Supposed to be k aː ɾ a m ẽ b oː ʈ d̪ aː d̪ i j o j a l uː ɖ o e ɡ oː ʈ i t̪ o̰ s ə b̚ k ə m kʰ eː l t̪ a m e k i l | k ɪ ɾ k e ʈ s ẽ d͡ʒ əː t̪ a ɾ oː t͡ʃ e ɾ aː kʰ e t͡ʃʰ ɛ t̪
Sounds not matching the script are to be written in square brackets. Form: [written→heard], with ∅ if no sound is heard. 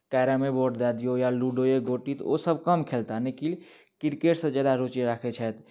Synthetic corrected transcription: k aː ɾ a m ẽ b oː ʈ d̪ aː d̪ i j o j a l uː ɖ o e ɡ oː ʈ i t̪ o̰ s ə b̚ k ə m kʰ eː l t̪ a [m→n] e k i l | k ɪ ɾ k e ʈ s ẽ d͡ʒ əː [t̪→d̪] a ɾ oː t͡ʃ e ɾ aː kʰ e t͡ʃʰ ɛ t̪